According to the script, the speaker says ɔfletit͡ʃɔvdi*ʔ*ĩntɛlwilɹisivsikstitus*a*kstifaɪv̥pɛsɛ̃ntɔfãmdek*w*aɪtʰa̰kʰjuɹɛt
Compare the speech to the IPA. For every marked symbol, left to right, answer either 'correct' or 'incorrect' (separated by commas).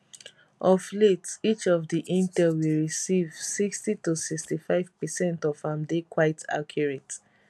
correct, incorrect, correct